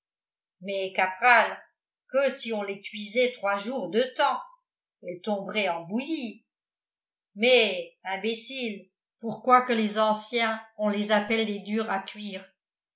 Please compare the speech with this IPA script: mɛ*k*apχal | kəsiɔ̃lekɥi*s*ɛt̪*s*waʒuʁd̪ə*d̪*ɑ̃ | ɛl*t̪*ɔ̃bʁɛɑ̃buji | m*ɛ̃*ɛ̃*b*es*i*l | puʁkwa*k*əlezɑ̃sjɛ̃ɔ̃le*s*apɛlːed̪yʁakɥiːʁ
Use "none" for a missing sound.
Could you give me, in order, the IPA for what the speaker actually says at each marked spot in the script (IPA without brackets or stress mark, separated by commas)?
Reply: k, z, χ, t̪, t̪, ɛ, b, i, k, z